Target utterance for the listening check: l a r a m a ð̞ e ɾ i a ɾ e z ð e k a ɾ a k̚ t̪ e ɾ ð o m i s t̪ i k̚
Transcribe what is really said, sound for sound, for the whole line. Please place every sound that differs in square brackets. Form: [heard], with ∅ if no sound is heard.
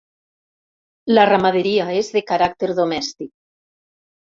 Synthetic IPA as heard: l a r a m a ð̞ e ɾ i a [∅] e z ð e k a ɾ a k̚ t̪ e ɾ ð o m [ɛ] s t̪ i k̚